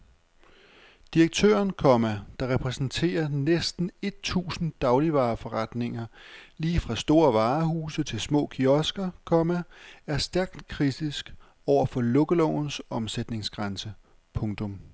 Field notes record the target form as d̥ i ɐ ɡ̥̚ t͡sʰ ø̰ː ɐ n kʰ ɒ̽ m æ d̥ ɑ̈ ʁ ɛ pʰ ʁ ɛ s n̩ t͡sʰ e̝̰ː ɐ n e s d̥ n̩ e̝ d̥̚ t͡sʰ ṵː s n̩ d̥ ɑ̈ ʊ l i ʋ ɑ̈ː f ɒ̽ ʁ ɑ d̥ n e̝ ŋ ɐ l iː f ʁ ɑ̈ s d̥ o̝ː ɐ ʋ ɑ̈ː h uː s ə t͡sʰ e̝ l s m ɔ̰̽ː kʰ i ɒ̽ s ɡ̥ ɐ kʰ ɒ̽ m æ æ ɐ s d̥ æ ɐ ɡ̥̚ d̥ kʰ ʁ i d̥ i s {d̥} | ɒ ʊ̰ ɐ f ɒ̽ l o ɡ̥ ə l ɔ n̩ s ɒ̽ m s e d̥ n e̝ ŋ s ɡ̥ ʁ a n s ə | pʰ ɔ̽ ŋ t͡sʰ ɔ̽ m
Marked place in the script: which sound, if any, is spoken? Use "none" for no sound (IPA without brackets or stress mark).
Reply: ɡ̥